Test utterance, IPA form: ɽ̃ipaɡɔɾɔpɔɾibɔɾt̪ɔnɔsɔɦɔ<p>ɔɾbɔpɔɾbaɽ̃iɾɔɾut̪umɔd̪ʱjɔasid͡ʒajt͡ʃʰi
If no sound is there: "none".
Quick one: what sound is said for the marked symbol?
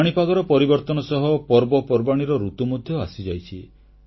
p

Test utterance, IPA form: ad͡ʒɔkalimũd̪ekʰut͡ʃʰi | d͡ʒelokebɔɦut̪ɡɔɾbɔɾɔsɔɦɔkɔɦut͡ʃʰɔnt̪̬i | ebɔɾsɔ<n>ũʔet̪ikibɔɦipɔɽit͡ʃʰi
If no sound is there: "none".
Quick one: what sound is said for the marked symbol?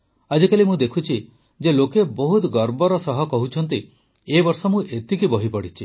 m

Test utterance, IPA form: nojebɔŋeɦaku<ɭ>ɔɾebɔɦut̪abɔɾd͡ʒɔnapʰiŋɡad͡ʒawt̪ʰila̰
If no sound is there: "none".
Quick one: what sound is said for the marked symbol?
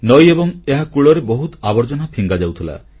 ɭ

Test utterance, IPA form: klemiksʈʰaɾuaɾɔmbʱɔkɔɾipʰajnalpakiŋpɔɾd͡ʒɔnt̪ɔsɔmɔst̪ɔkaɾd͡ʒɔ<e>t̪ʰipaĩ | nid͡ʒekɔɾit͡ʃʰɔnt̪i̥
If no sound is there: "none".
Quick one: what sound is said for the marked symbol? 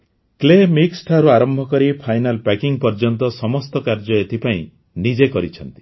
e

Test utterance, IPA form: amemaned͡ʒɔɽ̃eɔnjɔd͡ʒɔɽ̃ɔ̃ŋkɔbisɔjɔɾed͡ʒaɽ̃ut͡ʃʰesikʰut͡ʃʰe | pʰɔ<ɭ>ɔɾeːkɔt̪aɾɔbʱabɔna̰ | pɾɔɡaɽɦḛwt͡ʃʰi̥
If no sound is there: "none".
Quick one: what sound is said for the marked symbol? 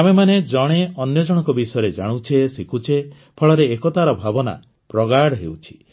ɭ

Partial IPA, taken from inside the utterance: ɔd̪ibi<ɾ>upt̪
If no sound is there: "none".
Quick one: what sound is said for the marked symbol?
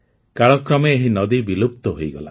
l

